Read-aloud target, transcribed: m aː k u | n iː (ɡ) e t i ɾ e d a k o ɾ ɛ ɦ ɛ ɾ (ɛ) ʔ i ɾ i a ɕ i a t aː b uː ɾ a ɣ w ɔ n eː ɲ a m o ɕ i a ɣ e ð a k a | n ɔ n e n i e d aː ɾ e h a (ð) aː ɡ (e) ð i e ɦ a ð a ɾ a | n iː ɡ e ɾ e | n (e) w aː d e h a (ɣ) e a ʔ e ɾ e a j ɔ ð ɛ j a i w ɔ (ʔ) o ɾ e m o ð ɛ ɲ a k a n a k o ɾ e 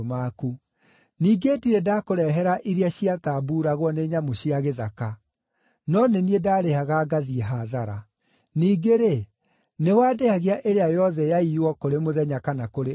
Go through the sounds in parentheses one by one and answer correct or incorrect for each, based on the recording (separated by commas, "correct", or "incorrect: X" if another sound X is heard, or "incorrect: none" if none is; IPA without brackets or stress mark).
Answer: correct, incorrect: a, incorrect: ɣ, incorrect: a, correct, correct, incorrect: k